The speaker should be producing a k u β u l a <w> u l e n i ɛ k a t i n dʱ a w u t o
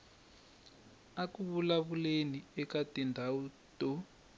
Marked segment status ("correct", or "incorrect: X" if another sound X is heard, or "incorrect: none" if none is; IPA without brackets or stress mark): incorrect: β